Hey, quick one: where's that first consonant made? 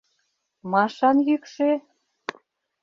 lips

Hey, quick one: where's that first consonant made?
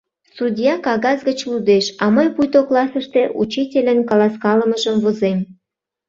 tongue tip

